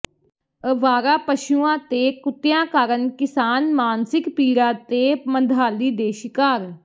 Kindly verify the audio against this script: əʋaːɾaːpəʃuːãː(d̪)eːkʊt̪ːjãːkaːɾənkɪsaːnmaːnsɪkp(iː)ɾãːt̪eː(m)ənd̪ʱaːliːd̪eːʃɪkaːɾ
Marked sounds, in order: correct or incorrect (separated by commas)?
incorrect, correct, correct